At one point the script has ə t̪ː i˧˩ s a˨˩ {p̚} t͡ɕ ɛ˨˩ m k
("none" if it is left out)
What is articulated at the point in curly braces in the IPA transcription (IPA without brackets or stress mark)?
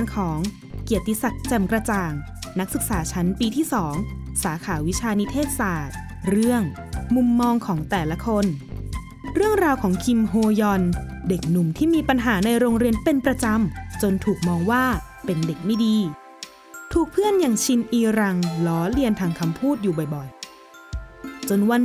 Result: k̚